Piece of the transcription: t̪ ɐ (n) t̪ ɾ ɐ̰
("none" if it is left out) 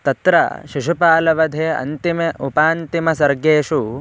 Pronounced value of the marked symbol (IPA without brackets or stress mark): none